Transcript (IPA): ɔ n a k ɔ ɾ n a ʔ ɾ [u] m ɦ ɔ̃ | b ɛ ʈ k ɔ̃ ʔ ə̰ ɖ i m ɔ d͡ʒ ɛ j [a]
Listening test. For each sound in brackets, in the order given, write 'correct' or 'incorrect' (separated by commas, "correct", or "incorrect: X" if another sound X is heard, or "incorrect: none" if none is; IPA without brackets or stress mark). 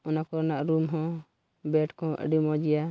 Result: correct, correct